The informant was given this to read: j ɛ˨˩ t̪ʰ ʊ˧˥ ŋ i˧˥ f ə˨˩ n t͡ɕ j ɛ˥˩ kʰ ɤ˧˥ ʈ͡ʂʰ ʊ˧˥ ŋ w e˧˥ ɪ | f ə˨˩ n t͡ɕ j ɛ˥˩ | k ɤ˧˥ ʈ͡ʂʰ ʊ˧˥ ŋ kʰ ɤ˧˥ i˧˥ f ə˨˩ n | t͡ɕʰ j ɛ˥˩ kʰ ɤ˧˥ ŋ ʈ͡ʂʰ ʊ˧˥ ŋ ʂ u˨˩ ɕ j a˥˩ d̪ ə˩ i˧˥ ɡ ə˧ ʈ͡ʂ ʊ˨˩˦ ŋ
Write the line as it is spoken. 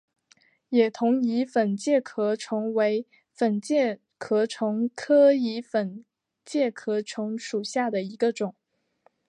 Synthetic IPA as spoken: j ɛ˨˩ t̪ʰ ʊ˧˥ ŋ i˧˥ f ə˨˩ n t͡ɕ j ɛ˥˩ kʰ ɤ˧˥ ʈ͡ʂʰ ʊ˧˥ ŋ w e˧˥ ɪ | f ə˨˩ n t͡ɕ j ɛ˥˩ | kʰ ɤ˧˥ ʈ͡ʂʰ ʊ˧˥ ŋ kʰ ɤ˥ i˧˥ f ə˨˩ n | t͡ɕ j ɛ˥˩ kʰ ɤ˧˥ ʈ͡ʂʰ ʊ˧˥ ŋ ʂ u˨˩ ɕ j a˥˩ d̪ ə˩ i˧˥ ɡ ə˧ ʈ͡ʂ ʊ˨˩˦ ŋ